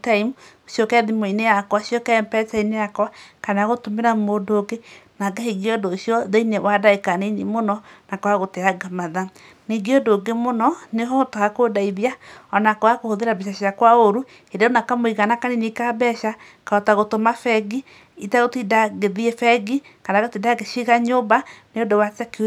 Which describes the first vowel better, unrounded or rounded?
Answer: unrounded